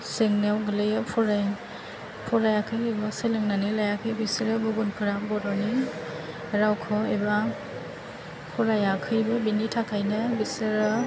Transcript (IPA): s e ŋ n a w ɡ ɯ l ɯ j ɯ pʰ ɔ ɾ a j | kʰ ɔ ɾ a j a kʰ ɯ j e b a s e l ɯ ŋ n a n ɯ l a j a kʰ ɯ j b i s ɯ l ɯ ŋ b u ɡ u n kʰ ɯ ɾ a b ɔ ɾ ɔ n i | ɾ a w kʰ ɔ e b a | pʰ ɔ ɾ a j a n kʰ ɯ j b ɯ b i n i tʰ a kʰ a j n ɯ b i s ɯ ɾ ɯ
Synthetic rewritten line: s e ŋ n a w ɡ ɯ l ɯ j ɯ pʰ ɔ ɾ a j | pʰ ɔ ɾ a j a kʰ ɯ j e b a s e l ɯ ŋ n a n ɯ l a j a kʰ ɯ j b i s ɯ ɾ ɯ b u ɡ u n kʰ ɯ ɾ a b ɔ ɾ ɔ n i | ɾ a w kʰ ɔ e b a | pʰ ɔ ɾ a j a kʰ ɯ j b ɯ b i n i tʰ a kʰ a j n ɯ b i s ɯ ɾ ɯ

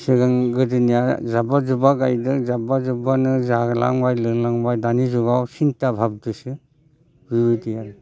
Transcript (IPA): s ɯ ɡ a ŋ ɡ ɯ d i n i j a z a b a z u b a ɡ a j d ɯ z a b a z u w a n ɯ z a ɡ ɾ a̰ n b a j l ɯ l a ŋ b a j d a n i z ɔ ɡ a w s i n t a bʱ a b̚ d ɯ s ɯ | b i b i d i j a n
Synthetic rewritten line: s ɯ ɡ a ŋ ɡ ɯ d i n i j a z a b a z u b a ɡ a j d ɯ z a b a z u b a n ɯ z a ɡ l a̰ ŋ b a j l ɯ l a ŋ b a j d a n i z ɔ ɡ a w s i n t a bʱ a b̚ d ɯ s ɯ | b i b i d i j a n

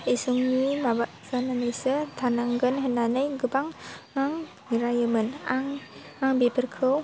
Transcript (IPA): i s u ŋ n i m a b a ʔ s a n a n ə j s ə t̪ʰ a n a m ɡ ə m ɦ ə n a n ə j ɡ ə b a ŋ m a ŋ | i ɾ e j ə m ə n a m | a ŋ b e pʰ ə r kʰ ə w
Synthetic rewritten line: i s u ŋ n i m a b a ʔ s a n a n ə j s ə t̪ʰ a n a ŋ ɡ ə n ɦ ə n a n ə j ɡ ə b a ŋ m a ŋ | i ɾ a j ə m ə n a ŋ | a ŋ b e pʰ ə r kʰ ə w

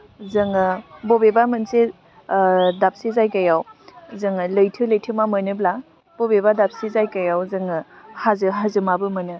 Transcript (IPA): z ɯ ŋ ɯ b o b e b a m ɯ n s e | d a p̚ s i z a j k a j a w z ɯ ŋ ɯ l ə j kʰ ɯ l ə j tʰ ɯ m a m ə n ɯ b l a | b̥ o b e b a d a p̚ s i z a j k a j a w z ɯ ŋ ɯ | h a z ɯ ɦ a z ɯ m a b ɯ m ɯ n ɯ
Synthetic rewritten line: z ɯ ŋ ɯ b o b e b a m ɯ n s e | d a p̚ s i z a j k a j a w z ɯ ŋ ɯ l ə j tʰ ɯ l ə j tʰ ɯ m a m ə n ɯ b l a | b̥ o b e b a d a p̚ s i z a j k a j a w z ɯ ŋ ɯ | h a z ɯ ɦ a z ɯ m a b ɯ m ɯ n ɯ

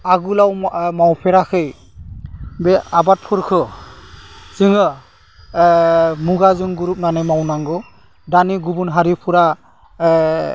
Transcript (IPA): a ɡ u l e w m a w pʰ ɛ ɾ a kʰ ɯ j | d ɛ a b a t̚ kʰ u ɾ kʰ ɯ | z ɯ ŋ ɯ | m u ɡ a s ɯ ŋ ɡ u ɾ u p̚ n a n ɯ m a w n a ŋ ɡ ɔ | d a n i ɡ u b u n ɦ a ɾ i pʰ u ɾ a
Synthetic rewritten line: a ɡ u l a w m a w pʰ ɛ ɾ a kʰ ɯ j | b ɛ a b a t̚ pʰ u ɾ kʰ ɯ | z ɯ ŋ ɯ | m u ɡ a z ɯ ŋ ɡ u ɾ u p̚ n a n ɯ m a w n a ŋ ɡ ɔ | d a n i ɡ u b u n ɦ a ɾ i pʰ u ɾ a

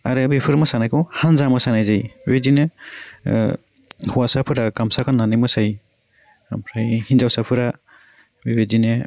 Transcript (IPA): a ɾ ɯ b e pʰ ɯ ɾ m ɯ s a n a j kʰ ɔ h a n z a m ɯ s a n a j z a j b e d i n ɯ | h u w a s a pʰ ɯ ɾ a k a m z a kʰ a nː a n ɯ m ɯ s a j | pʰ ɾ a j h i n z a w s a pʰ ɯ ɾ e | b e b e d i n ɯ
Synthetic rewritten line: a ɾ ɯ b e pʰ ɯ ɾ m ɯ s a n a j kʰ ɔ h a n z a m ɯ s a n a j z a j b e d i n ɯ | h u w a s a pʰ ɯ ɾ a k a m s a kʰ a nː a n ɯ m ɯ s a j | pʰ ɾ a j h i n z a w s a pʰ ɯ ɾ a | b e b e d i n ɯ

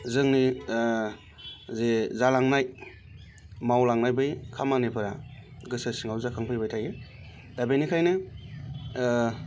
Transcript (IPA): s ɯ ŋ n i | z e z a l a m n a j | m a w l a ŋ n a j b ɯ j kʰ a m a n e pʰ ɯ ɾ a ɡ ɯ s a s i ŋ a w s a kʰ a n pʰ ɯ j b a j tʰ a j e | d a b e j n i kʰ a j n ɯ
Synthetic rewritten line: z ɯ ŋ n i | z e z a l a ŋ n a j | m a w l a ŋ n a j b ɯ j kʰ a m a n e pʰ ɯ ɾ a ɡ ɯ s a s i ŋ a w z a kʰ a ŋ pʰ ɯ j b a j tʰ a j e | d a b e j n i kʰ a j n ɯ

